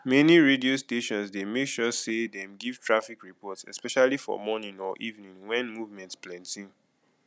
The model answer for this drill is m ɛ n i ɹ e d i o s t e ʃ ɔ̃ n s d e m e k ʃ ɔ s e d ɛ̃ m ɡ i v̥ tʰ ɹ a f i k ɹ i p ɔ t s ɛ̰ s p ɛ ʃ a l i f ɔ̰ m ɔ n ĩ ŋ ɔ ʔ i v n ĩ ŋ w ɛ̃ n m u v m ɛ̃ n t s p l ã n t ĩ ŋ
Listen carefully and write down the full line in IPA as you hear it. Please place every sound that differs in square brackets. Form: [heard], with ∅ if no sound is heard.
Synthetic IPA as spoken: m ɛ n i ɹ e d i o s t e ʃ ɔ̃ n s d e m e k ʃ ɔ s e d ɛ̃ m ɡ i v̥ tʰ ɹ a f i k ɹ i p ɔ t s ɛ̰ s p ɛ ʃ a l i f ɔ̰ m ɔ n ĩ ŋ ɔ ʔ i v n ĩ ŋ w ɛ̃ n m u v m ɛ̃ n t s p l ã n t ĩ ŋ